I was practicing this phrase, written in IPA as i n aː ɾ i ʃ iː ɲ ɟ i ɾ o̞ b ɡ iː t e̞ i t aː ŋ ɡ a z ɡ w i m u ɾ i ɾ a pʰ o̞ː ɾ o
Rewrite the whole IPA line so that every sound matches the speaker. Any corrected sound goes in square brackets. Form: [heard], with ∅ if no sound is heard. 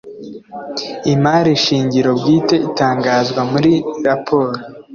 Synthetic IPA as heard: i [m] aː ɾ i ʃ iː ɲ ɟ i ɾ o̞ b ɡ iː t e̞ i t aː ŋ ɡ a z ɡ w [a] m u ɾ i ɾ a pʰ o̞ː ɾ o

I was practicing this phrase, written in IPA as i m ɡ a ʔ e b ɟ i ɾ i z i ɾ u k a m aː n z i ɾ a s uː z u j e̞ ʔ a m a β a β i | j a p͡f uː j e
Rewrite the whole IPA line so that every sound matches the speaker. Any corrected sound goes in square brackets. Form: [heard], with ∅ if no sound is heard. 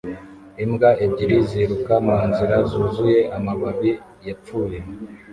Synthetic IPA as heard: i m ɡ a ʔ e b ɟ i ɾ i z i ɾ u k a m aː n z i ɾ a [z] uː z u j e̞ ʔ a m a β a β i | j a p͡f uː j e

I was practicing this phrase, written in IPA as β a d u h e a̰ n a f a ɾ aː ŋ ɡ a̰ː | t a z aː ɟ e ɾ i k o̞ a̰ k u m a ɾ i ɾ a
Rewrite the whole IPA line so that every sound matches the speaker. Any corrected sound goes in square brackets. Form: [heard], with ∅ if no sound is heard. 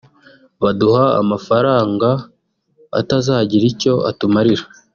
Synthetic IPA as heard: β a d u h [a] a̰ [m] a f a ɾ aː ŋ ɡ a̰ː | t a z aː ɟ [i] ɾ i [c] o̞ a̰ [t] u m a ɾ i ɾ a

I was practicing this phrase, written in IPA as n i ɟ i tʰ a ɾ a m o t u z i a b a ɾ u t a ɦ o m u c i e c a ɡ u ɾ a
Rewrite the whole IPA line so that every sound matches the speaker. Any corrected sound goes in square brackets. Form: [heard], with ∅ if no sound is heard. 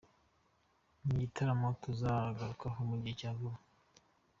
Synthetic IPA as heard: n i ɟ i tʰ a ɾ a m o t u z [a] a [ɡ] a ɾ u [k] a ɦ o m u [ɟ] i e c a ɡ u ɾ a

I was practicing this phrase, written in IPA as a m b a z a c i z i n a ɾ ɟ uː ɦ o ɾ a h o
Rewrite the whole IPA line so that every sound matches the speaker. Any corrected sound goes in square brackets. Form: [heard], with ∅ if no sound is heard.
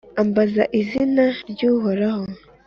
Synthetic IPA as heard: a m b a z a [ʔ] i z i n a ɾ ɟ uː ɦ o ɾ a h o

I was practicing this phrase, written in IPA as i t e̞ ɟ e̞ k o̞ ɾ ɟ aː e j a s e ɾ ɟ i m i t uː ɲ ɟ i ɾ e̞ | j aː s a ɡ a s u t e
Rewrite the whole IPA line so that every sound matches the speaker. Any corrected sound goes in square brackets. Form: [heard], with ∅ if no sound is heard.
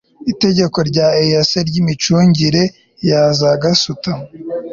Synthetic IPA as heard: i t e̞ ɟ e̞ k o̞ ɾ ɟ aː e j a s e ɾ ɟ i m i [t͡ʃ] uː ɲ ɟ i ɾ e̞ | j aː [z] a ɡ a s u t [a]

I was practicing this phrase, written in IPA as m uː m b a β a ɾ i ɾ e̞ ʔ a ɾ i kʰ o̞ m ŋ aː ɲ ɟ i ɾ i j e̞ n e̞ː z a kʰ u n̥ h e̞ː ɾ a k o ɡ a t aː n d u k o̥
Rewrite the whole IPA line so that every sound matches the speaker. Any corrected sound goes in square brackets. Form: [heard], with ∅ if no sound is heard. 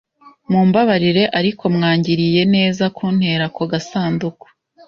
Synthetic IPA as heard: m uː m b a β a ɾ i ɾ e̞ ʔ a ɾ i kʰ o̞ m ŋ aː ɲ ɟ i ɾ i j e̞ n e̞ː z a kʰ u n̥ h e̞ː ɾ a k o ɡ a [s] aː n d u k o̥

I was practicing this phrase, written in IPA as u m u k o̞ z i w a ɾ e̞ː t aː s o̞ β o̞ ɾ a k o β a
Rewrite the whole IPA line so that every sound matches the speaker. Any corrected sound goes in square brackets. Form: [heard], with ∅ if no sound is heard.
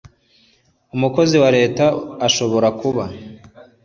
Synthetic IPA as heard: u m u k o̞ z i w a ɾ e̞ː t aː [ʃ] o̞ β o̞ ɾ a k [u] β a

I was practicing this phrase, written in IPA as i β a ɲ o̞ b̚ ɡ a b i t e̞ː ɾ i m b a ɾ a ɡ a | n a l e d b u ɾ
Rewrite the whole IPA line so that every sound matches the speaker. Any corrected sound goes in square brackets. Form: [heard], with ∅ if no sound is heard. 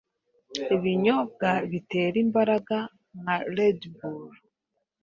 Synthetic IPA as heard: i β [i] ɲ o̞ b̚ ɡ a [β] i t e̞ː ɾ i m b a ɾ a ɡ a | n a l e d b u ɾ

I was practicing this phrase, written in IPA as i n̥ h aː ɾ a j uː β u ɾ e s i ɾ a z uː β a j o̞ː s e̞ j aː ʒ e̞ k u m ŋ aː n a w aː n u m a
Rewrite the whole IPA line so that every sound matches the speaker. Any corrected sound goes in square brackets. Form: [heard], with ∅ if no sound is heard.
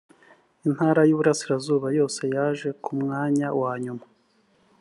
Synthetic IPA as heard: i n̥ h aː ɾ a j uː β u ɾ [a] s i ɾ a z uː β a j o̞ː s e̞ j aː ʒ e̞ k u m ŋ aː [ɲ] a w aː [ɲ] u m a

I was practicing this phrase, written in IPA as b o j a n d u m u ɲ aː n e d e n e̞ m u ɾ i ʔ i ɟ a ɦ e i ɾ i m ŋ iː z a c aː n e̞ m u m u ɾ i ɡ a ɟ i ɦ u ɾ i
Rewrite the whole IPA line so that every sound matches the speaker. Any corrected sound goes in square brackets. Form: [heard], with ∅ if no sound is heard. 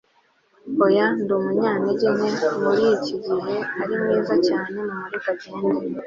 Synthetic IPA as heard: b o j a n d u m u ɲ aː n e [ɟ] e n e̞ m u ɾ i [c] i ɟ [i] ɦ e [a] ɾ i m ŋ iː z a c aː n e̞ m u m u ɾ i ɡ a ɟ i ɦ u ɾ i

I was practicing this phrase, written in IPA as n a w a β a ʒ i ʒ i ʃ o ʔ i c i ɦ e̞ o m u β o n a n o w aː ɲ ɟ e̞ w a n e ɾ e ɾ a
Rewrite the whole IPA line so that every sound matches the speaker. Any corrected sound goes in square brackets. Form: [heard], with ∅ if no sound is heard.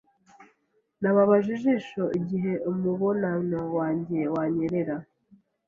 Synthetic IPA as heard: n a [β] a β a ʒ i ʒ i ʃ o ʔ i [ɟ] i ɦ e̞ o m u β o n a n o w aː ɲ ɟ e̞ w a [ɲ] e ɾ e ɾ a

